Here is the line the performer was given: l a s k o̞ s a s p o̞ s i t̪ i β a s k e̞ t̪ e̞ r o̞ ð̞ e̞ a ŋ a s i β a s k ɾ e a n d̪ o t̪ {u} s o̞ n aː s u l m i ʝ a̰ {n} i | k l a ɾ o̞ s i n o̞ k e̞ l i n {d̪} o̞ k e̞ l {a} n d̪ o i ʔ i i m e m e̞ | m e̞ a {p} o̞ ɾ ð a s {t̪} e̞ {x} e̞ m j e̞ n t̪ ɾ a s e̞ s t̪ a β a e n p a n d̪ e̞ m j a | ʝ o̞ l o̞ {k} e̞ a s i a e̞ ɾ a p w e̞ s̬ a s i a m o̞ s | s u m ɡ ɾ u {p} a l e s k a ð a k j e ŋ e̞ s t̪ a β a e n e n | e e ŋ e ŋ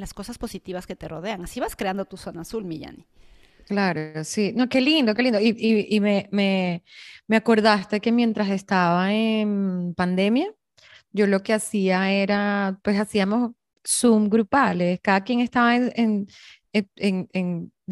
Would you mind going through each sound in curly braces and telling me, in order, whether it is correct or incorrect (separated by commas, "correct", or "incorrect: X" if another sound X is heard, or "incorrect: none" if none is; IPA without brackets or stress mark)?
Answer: correct, correct, correct, incorrect: i, incorrect: k, correct, incorrect: k, correct, correct